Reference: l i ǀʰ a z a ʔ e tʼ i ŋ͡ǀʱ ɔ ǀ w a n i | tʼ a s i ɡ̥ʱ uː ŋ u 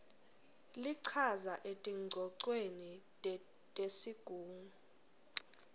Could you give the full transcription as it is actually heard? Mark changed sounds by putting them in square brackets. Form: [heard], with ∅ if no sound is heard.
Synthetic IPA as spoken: l i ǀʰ a z a ʔ e tʼ i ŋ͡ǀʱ ɔ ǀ w [e] n i | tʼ [e] s i ɡ̥ʱ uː ŋ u